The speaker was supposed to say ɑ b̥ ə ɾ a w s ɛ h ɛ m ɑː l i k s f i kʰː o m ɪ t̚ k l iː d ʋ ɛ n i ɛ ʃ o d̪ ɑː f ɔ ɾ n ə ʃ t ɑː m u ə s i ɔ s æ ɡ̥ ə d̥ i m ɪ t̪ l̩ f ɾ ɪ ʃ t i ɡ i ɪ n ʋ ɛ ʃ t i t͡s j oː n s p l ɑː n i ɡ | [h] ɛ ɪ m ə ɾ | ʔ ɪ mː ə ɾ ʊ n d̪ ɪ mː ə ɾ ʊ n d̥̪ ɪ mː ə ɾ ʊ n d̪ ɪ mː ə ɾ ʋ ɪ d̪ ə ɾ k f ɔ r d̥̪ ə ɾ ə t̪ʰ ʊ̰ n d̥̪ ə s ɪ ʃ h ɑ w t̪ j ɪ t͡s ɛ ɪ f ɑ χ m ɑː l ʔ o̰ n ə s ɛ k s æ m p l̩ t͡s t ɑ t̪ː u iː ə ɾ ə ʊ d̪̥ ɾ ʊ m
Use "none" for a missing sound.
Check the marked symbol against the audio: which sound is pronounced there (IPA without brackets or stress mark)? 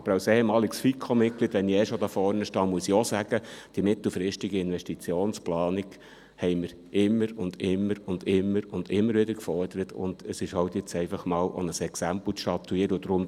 h